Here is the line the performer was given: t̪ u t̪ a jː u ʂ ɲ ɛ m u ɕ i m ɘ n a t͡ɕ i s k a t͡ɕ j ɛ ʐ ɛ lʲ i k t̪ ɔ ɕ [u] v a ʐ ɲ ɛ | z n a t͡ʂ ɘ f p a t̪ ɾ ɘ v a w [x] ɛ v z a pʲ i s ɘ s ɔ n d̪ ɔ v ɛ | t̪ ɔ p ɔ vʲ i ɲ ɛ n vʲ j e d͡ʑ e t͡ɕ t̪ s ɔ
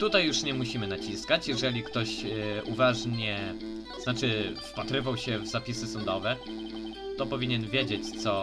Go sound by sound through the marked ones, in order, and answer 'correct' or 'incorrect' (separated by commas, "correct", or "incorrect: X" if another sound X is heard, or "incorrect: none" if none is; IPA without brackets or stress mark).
correct, incorrect: ɕ